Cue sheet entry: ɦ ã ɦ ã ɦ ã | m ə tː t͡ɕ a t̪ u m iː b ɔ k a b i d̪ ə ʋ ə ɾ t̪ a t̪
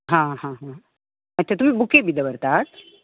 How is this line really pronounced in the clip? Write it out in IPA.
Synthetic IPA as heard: ɦ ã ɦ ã ɦ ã | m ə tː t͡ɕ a t̪ u m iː b u k e b i d̪ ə ʋ ə ɾ t̪ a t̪

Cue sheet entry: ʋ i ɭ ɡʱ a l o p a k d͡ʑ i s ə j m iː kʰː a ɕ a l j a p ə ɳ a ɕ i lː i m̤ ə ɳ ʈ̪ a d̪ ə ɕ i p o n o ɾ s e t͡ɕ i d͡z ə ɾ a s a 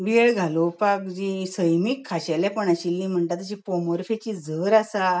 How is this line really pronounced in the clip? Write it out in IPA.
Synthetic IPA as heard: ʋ i ɭ ɡʱ a l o p a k d͡ʑ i s ə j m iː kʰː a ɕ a l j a p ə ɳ a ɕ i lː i m̤ ə ɳ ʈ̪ a t̪ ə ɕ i p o m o ɾ f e t͡ɕ i d͡z ə ɾ a s a

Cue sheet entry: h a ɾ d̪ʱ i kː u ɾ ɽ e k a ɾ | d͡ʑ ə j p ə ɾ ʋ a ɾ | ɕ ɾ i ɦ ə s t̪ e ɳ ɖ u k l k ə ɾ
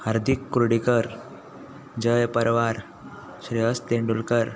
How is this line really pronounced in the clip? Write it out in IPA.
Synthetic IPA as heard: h a ɾ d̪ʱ i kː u ɾ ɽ i k ə ɾ | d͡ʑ ə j p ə ɾ ʋ a ɾ | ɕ ɾ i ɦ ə s t̪ e ɳ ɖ u l k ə ɾ

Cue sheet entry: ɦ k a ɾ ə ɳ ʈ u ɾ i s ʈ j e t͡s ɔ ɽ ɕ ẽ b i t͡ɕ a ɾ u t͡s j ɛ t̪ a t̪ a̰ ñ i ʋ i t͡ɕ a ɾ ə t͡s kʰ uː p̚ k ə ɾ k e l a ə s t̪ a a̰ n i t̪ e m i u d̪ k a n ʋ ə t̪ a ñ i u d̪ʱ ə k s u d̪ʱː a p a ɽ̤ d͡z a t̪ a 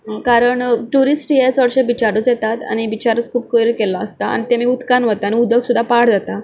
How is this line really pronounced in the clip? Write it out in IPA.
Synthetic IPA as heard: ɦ k a ɾ ə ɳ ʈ u ɾ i s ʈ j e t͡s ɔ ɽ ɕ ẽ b i t͡ɕ a ɾ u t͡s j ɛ t̪ a t̪ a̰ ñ i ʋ i t͡ɕ a ɾ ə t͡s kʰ uː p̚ k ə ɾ k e l a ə s t̪ a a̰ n i t̪ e m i u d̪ k a n ʋ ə t̪ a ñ i u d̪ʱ ə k s u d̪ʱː a p a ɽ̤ d͡z a t̪ a

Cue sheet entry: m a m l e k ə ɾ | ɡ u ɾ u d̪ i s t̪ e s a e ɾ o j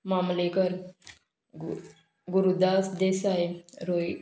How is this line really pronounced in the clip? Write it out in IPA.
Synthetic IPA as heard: m a m l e k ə ɾ | ɡ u ɾ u d̪ a s d̪ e s a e ɾ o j

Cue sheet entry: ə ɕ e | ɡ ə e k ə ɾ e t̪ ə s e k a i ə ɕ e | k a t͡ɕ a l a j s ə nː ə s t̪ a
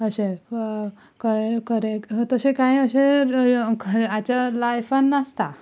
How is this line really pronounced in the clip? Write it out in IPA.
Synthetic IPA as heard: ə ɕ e | k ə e k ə ɾ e t̪ ə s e k a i ə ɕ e | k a t͡ɕ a l a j f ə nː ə s t̪ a

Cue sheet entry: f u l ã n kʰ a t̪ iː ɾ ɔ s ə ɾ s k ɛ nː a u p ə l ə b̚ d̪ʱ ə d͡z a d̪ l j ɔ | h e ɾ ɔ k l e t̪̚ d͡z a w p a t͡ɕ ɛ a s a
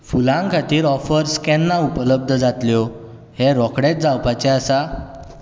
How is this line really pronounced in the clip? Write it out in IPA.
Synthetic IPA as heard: f u l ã ŋ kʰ a t̪ iː ɾ ɔ f ə ɾ s k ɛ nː a u p ə l ə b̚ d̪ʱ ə d͡z a t̪ l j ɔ | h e ɾ ɔ k ɽ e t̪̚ d͡z a w p a t͡ɕ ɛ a s a

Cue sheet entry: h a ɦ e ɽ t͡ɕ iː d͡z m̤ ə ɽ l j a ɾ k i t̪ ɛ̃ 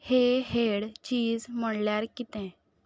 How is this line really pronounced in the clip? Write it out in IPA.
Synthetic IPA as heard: h e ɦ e ɽ t͡ɕ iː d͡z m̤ ə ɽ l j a ɾ k i t̪ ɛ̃

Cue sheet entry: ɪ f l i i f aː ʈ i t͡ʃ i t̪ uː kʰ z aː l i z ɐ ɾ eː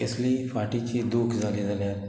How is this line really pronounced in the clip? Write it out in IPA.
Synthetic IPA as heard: ɪ s l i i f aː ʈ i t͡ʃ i d̪ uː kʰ z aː l i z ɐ l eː

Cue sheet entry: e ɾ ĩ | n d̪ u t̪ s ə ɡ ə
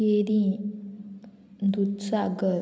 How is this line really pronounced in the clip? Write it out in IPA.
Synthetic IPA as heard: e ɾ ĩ | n d̪ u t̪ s a ɡ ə

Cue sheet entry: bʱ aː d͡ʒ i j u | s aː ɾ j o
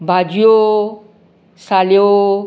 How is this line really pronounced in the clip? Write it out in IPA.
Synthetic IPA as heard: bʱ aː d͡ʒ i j o | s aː l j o

